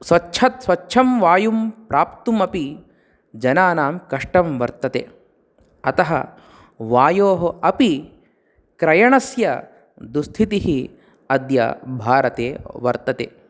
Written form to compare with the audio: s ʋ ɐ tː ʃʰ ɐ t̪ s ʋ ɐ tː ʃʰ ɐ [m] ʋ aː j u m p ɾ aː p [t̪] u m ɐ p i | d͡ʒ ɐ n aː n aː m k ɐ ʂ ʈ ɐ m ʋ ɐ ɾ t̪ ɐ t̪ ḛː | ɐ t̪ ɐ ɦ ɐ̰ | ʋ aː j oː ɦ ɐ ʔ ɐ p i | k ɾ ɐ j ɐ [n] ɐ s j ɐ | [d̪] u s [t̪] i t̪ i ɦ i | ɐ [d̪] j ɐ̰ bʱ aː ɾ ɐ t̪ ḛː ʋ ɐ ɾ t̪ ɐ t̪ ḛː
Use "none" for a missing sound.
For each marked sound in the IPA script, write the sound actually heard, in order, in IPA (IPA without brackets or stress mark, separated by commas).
m, t̪, ɳ, d̪, t̪ʰ, d̪